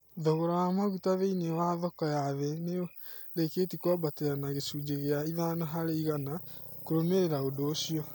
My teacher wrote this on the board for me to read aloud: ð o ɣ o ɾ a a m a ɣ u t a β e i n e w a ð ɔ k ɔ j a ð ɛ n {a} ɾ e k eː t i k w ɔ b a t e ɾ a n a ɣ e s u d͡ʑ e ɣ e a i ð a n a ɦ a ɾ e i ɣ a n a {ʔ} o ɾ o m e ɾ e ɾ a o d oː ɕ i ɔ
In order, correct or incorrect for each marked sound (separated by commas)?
incorrect, incorrect